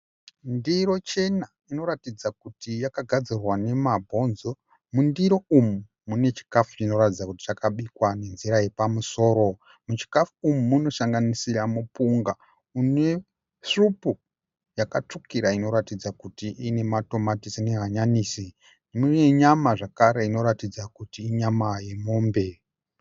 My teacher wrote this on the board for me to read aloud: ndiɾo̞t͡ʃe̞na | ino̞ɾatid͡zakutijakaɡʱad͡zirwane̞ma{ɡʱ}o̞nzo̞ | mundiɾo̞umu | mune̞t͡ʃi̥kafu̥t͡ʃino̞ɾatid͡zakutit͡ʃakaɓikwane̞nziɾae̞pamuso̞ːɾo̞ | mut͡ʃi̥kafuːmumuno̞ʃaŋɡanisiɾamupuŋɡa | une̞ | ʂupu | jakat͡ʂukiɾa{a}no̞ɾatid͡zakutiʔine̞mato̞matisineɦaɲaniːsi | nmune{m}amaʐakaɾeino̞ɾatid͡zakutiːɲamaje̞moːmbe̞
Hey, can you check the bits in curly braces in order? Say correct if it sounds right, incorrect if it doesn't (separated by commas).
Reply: incorrect, incorrect, incorrect